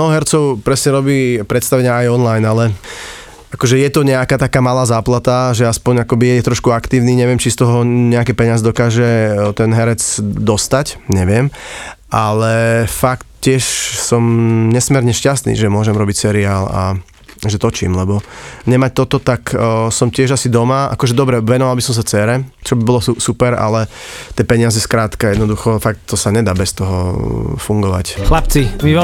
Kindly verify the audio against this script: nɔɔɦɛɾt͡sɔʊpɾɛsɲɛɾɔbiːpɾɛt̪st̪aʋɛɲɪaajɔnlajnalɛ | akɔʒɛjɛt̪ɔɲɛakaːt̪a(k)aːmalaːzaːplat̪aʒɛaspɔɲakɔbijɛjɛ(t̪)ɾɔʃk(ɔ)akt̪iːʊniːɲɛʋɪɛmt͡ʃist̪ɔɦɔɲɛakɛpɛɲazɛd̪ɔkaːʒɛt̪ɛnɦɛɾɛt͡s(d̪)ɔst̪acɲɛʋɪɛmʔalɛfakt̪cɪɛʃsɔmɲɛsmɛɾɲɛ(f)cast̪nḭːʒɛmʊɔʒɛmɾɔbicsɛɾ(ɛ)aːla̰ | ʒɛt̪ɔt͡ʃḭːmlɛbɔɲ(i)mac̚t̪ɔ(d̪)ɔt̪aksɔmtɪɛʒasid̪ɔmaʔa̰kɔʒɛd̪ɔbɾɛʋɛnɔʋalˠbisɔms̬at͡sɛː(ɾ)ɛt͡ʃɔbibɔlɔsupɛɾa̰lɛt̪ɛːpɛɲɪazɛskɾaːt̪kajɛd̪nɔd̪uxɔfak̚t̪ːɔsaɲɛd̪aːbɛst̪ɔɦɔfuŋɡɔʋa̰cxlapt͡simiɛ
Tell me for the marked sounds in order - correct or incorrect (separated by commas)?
correct, correct, incorrect, correct, incorrect, incorrect, incorrect, incorrect, correct